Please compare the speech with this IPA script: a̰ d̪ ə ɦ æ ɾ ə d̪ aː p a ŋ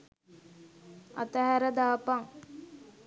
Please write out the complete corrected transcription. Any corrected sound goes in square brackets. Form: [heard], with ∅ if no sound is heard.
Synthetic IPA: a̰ [t̪] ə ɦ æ ɾ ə d̪ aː p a ŋ